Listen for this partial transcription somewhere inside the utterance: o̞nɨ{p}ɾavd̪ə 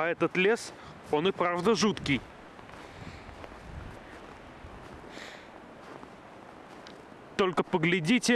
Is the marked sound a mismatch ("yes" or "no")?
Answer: no